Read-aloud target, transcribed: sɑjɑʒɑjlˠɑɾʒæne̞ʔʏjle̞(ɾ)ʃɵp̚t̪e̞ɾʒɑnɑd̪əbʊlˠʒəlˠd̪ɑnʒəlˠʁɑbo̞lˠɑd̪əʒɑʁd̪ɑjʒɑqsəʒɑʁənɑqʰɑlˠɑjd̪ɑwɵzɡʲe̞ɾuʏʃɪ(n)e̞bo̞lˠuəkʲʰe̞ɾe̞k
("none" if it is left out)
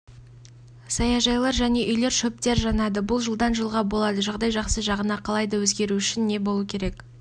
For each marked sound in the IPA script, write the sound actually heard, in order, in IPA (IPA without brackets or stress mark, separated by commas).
ɾ, nː